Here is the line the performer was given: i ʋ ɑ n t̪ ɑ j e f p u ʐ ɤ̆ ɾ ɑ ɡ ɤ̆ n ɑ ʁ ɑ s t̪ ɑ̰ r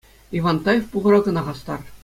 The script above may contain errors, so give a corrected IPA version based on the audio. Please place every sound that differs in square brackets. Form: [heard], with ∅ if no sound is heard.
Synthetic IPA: i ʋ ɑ n t̪ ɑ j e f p u [ʁ] ɤ̆ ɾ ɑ ɡ ɤ̆ n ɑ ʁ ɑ s t̪ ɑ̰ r